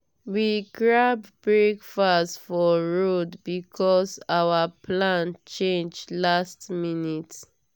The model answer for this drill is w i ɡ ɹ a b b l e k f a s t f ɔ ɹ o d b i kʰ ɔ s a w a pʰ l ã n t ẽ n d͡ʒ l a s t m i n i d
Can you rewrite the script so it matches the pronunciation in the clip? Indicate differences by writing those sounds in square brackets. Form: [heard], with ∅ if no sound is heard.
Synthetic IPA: w i ɡ ɹ a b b [ɹ] e k f a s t f ɔ ɹ o d b i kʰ ɔ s a w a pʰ l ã n [t͡ʃ] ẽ n d͡ʒ l a s t m i n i [t]

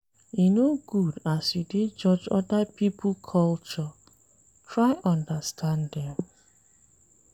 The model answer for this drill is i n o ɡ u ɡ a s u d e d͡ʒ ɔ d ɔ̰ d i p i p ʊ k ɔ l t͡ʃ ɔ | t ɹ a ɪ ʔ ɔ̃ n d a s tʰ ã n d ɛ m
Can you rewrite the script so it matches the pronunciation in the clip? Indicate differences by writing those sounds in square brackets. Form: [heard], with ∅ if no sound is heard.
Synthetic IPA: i n o ɡ u [d] a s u d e d͡ʒ ɔ [d͡ʒ] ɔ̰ d [a] p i p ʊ [kʰ] ɔ l t͡ʃ ɔ | t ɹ a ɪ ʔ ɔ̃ n d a s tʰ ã n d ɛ m

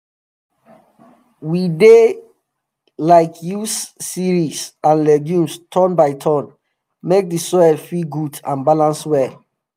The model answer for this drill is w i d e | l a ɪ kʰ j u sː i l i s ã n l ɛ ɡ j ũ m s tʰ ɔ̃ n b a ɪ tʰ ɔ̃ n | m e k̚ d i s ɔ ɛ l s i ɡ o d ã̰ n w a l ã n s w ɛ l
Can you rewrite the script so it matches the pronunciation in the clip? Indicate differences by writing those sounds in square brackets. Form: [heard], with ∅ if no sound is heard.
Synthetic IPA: w i d e | l a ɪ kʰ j u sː i [ɹ] i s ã n l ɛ ɡ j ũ m s tʰ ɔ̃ n b a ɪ tʰ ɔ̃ n | m e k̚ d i s ɔ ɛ l [f] i ɡ [u] d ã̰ n [b] a l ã n s w ɛ l

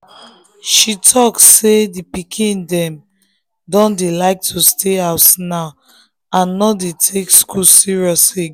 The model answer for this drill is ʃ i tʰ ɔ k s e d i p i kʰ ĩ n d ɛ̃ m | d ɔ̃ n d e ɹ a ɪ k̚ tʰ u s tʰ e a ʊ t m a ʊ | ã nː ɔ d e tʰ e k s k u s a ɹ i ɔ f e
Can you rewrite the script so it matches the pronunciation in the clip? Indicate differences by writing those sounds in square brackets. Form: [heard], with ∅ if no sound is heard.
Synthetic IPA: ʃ i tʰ ɔ k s e d i p i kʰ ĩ n d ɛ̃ m | d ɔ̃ n d e [l] a ɪ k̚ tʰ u s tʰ e a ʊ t [n] a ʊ | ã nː ɔ d e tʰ e k s k u s [i] ɹ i ɔ [s] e

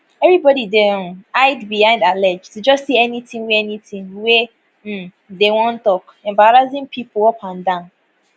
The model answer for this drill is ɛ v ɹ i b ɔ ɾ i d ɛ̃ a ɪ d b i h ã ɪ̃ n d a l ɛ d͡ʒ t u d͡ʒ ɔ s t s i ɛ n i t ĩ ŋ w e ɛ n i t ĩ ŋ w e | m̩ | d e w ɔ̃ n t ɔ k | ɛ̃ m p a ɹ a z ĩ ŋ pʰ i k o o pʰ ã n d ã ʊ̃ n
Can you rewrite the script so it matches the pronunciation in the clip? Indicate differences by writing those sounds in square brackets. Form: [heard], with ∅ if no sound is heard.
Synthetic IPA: ɛ v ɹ i b ɔ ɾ i d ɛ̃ a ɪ d b i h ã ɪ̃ n d a l ɛ d͡ʒ t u d͡ʒ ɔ s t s i ɛ n i t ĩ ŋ w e ɛ n i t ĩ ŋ w e | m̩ | d e w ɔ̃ n t ɔ k | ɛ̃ m [b] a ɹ a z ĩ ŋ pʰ i [p] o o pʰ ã n d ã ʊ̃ n

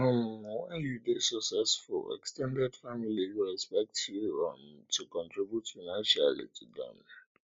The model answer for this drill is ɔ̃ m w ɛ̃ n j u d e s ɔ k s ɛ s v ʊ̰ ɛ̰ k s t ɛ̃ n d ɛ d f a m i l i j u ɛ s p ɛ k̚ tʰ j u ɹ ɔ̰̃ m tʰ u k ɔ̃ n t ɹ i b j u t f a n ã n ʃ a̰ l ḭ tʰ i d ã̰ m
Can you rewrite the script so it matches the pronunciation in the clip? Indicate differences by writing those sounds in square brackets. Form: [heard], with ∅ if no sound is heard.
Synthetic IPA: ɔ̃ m w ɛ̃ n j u d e s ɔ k s ɛ s [f] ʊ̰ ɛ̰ k s t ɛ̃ n d ɛ d f a m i l i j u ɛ s p ɛ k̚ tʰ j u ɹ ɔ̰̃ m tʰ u k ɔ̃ n t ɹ i b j u t f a n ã n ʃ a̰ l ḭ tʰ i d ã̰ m

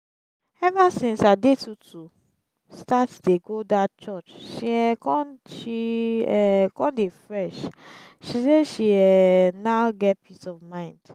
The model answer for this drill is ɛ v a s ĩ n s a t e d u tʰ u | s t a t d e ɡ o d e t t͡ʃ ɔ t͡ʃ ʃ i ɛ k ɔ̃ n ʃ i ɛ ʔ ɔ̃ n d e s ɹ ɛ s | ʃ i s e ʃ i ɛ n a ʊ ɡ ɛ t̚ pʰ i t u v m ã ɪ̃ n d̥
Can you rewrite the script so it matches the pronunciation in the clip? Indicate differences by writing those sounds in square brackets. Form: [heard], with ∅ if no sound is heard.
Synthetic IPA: ɛ v a s ĩ n s a [d] e [t] u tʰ u | s t a t d e ɡ o d [a] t t͡ʃ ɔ t͡ʃ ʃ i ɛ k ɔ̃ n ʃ i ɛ [k] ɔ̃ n d e [f] ɹ ɛ [ʃ] | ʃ i s e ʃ i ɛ n a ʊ ɡ ɛ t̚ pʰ i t [ɔ] v m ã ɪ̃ n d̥

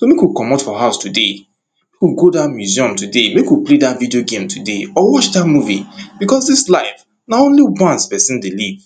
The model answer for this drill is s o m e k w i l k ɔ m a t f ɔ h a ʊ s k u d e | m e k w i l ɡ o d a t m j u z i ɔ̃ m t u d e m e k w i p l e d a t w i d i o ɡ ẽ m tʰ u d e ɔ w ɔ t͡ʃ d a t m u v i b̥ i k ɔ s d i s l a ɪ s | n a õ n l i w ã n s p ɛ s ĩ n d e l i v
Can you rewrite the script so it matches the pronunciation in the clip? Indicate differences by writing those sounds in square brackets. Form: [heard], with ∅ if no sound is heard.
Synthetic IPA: s o m e k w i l k ɔ m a t f ɔ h a ʊ s [t] u d e | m e k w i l ɡ o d a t m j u z i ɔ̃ m t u d e m e k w i p l e d a t [v] i d i o ɡ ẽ m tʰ u d e ɔ w ɔ t͡ʃ d a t m u v i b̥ i k ɔ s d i s l a ɪ [f] | n a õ n l i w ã n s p ɛ s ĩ n d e l i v

